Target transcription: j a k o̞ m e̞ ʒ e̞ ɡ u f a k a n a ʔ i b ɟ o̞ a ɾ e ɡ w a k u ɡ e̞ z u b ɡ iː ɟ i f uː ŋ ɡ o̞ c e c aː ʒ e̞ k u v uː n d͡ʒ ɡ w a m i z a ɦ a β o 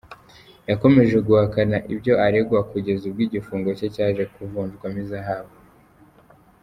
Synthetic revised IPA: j a k o̞ m e̞ ʒ e̞ ɡ u h a k a n a ʔ i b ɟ o̞ a ɾ e ɡ w a k u ɟ e̞ z u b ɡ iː ɟ i f uː ŋ ɡ o̞ c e c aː ʒ e̞ k u v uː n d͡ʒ ɡ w a m i z a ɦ a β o